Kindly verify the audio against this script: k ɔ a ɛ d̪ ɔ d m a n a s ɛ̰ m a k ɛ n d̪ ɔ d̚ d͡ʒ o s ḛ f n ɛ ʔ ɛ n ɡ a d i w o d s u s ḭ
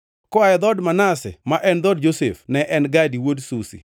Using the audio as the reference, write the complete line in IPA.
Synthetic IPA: k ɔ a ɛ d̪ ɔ d m a n a s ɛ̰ m a ʔ ɛ n d̪ ɔ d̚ d͡ʒ o s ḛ f n ɛ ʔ ɛ n ɡ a d i w o d s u s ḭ